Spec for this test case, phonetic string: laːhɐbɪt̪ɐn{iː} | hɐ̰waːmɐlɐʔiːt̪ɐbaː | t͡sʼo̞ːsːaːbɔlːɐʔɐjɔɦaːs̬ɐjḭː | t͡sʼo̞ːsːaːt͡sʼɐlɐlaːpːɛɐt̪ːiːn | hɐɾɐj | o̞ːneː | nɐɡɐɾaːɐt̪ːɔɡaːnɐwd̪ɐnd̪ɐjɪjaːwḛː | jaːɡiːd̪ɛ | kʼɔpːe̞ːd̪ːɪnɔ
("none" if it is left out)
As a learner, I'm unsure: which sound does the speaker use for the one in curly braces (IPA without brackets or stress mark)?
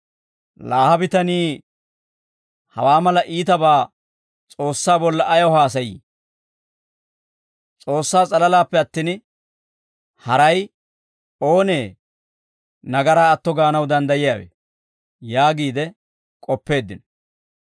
iː